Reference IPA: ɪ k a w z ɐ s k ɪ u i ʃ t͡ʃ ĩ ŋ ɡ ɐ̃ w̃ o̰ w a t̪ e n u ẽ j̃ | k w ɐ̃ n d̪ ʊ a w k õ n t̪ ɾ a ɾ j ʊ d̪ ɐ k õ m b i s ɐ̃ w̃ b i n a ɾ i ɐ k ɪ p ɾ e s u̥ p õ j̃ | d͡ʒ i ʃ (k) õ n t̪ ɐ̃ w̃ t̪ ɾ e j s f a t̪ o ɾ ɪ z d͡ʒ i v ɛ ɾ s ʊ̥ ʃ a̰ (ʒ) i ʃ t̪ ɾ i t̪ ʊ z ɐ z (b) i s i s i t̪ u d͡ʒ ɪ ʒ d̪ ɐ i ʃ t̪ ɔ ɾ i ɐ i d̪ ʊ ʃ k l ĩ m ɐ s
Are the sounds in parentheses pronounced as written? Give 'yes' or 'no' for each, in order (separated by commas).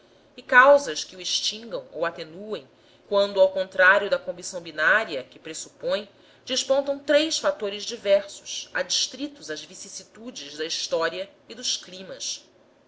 no, no, no